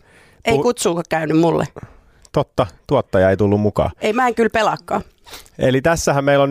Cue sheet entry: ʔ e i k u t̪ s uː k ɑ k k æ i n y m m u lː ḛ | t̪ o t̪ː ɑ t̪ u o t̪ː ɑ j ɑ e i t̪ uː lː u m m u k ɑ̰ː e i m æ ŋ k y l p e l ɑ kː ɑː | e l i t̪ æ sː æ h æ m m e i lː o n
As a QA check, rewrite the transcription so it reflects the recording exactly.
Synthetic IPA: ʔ e i k u t̪ s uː k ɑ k k æ y n y m m u lː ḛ | t̪ o t̪ː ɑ t̪ u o t̪ː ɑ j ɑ e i t̪ u lː u m m u k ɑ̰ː e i m æ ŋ k y l p e l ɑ kː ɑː | e l i t̪ æ sː æ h æ m m e i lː o n